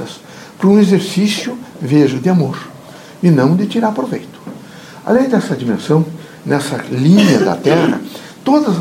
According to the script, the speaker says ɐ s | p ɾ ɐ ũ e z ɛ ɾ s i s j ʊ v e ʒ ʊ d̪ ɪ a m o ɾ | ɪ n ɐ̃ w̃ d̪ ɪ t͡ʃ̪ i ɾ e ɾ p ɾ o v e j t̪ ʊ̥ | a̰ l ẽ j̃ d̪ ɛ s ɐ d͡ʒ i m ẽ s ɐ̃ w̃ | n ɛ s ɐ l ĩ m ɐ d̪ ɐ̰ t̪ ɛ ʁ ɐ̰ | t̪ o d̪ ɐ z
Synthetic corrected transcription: ɐ s | p ɾ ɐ ũ e z e ɾ s i s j ʊ v e ʒ ʊ d̪ ɪ a m o ɾ | ɪ n ɐ̃ w̃ d̪ ɪ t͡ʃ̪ i ɾ a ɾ p ɾ o v e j t̪ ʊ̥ | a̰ l ẽ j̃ d̪ ɛ s ɐ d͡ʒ i m ẽ s ɐ̃ w̃ | n ɛ s ɐ l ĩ ɲ ɐ d̪ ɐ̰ t̪ ɛ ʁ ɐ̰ | t̪ o d̪ ɐ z